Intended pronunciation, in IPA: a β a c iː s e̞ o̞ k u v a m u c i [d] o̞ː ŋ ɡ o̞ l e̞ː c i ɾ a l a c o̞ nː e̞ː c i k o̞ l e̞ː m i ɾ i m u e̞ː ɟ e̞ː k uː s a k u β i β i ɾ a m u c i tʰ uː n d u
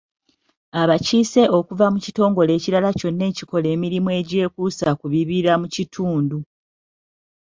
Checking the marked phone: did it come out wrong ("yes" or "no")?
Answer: yes